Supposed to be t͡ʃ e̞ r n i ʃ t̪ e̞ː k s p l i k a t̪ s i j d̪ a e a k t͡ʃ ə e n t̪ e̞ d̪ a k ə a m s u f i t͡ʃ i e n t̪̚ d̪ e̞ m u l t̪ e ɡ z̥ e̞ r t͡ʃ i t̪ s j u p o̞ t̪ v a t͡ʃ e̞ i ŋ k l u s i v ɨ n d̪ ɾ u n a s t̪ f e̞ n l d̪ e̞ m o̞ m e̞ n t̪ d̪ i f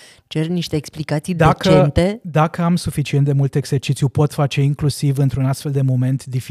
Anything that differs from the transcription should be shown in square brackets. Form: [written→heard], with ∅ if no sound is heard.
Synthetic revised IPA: t͡ʃ e̞ r n i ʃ t̪ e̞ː k s p l i k a t̪ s i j d̪ a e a k t͡ʃ ə e n t̪ e̞ d̪ a k ə a m s u f i t͡ʃ i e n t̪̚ d̪ e̞ m u l t̪ e ɡ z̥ e̞ r t͡ʃ i t̪ s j u p o̞ t̪ [v→f] a t͡ʃ e̞ i ŋ k l u s i v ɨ n [d̪→t̪] ɾ u n a s t̪ f e̞ [n→∅] l d̪ e̞ m o̞ m e̞ n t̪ d̪ i f